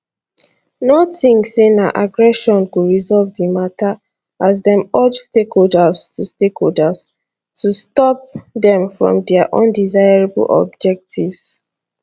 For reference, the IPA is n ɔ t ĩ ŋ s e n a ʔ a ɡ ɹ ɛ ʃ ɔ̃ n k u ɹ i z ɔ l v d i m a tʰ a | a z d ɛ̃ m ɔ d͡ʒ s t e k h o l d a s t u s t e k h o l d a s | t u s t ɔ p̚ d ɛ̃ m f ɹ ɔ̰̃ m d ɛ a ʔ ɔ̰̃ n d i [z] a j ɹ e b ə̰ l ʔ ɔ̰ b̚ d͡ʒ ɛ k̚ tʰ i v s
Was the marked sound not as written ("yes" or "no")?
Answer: no